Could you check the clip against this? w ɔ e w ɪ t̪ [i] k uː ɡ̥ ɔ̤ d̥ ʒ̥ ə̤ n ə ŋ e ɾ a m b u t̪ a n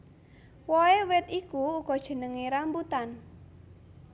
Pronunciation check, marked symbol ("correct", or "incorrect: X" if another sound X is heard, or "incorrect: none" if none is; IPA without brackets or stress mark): correct